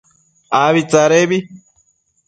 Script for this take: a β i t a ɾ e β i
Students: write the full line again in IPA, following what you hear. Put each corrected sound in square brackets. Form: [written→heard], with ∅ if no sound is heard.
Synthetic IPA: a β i [t→t͡s] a ɾ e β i